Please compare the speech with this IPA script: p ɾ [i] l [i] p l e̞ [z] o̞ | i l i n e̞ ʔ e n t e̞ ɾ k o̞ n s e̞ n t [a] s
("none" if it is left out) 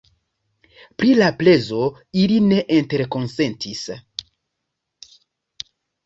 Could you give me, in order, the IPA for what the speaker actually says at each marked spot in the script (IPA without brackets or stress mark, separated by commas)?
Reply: i, a, z, i